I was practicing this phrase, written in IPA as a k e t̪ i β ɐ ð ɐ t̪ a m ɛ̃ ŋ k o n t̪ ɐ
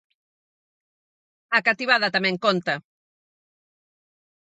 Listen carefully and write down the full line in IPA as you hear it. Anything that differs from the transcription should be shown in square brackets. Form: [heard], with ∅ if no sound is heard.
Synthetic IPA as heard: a k [a] t̪ i β [a] ð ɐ t̪ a m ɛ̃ ŋ k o n t̪ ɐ